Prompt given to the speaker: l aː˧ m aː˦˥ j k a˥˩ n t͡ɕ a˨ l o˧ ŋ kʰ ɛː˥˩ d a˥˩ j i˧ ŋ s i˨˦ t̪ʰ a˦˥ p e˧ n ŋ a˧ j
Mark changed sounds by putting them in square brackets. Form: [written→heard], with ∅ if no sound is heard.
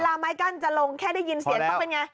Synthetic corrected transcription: l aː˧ m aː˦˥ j k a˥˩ n t͡ɕ a˨ l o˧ ŋ kʰ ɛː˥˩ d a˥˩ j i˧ [ŋ→n] s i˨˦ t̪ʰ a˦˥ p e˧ n ŋ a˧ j